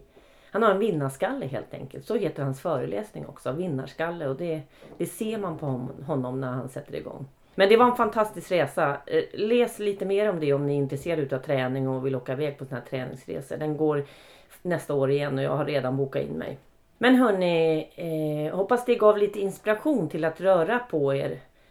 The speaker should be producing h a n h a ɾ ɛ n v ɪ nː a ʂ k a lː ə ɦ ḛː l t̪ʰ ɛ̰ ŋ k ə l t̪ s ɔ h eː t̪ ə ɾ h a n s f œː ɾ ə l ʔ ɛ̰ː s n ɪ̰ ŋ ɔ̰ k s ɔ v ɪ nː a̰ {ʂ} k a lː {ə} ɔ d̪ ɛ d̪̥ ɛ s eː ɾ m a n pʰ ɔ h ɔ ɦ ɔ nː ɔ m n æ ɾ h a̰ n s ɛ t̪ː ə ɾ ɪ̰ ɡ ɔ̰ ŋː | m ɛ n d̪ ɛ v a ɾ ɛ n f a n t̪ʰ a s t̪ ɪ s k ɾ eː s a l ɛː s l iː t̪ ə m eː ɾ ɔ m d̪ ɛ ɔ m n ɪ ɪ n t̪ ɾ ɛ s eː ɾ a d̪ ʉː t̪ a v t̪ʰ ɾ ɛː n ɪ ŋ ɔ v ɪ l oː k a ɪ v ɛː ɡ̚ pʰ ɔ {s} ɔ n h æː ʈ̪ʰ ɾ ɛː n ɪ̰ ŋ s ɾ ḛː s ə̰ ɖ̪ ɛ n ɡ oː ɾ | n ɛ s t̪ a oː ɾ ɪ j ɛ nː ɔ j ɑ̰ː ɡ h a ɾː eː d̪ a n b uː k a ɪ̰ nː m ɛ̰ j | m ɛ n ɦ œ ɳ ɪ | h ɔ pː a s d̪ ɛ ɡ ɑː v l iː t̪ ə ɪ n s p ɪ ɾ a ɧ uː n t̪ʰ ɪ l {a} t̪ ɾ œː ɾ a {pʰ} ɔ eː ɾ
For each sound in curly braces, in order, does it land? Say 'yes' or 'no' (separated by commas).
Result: yes, yes, yes, yes, yes